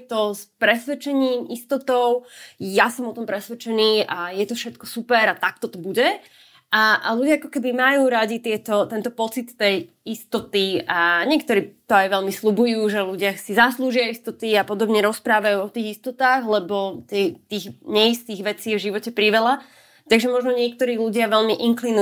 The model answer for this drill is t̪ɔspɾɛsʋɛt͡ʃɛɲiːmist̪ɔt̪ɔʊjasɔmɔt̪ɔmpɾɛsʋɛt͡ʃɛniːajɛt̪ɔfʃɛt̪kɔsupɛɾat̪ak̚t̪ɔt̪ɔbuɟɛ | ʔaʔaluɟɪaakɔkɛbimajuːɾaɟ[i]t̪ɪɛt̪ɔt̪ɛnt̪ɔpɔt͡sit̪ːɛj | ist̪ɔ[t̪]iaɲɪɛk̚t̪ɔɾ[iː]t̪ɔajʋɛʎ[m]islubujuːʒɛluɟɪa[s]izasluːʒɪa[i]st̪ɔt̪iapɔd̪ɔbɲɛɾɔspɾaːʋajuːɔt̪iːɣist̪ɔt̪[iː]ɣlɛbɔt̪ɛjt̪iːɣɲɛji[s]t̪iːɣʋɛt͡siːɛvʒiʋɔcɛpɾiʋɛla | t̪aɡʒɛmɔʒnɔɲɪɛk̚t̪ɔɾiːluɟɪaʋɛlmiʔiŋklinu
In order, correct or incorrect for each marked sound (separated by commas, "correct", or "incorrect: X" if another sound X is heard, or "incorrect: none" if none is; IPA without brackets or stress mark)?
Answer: correct, correct, correct, correct, correct, correct, incorrect: aː, correct